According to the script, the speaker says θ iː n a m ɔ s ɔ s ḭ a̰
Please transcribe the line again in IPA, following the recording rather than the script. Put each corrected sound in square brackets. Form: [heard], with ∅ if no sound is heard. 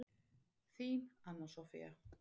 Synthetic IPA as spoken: θ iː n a [n] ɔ s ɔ [f] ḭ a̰